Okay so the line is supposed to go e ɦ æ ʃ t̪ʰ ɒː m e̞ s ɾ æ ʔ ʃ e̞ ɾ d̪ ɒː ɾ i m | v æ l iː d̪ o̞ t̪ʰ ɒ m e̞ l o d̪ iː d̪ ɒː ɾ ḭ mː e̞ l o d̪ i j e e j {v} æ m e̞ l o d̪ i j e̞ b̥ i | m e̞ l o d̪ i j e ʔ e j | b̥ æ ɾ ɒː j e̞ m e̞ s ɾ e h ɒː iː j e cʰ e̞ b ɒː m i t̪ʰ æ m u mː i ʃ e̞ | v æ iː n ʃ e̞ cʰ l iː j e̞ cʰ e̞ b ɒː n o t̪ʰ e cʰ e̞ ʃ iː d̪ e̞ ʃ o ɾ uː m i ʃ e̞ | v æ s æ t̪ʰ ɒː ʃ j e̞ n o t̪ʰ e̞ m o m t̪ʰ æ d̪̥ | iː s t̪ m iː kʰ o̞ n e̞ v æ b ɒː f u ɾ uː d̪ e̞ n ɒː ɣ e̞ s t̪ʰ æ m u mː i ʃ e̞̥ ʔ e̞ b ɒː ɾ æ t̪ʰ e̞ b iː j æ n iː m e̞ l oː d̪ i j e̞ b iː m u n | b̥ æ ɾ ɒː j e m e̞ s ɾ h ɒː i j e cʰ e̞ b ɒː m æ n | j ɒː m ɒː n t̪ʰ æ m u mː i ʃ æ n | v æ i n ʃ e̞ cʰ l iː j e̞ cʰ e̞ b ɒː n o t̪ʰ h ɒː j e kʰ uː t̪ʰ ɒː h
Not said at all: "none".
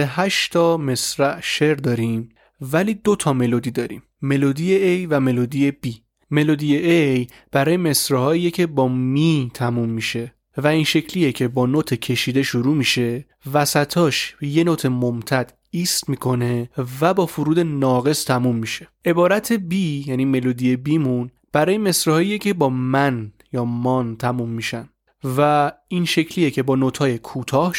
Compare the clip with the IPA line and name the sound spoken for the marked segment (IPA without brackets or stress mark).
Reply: v